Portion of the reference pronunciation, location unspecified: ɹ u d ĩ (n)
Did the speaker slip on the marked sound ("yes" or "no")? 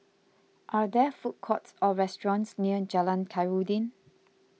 no